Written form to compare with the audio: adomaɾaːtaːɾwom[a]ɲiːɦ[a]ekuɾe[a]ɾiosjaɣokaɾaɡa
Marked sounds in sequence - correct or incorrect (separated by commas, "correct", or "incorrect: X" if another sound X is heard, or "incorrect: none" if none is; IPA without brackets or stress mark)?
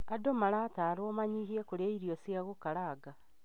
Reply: correct, incorrect: i, incorrect: i